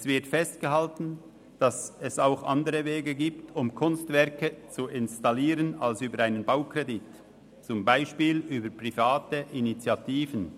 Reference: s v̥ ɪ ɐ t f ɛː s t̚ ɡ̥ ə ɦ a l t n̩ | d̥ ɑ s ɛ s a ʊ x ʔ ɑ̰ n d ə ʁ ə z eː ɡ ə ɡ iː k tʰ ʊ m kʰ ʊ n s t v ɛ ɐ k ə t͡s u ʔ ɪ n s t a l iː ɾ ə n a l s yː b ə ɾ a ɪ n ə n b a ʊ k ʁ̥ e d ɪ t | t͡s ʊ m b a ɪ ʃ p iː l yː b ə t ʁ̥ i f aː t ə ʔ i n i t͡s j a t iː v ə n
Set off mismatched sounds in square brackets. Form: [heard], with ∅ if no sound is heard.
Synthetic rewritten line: s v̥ ɪ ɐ t f [ɛ] s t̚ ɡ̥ ə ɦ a l t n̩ | d̥ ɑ s ɛ s a ʊ x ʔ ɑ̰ n d ə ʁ ə [v] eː ɡ ə ɡ iː [p] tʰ ʊ m kʰ ʊ n s t v ɛ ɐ k ə t͡s u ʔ ɪ n s t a l iː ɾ ə n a l s yː b ə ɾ a ɪ n ə n b a ʊ k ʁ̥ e d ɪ t | t͡s ʊ m b a ɪ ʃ p iː l yː b ə [p] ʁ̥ i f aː t ə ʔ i n i t͡s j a t iː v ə n